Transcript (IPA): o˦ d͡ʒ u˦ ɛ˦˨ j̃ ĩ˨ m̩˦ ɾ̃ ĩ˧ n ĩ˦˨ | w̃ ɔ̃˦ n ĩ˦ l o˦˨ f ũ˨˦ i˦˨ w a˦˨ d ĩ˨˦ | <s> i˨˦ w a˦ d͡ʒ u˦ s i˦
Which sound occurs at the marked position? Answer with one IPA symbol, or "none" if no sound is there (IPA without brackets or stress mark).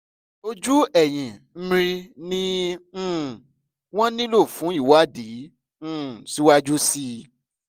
s